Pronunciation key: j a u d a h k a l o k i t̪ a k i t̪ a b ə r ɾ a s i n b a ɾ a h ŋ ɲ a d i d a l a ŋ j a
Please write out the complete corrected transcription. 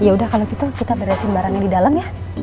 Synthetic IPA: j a u d a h k a l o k i t̪ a k i t̪ a b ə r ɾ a s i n b a ɾ a ŋ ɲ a d i d a l a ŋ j a